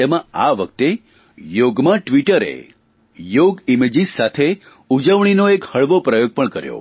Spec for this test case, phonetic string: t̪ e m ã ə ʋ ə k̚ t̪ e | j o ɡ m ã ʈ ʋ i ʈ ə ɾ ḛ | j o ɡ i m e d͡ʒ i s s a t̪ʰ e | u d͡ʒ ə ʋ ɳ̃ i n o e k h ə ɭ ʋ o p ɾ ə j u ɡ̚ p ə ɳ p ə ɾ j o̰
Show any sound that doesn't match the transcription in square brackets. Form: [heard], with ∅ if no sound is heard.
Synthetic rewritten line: t̪ e m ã [a] ʋ ə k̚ t̪ e | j o ɡ m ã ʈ ʋ i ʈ ə ɾ ḛ | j o ɡ i m e d͡ʒ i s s a t̪ʰ e | u d͡ʒ ə ʋ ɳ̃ i n o e k h ə ɭ ʋ o p ɾ ə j [o] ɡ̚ p ə ɳ [k] ə ɾ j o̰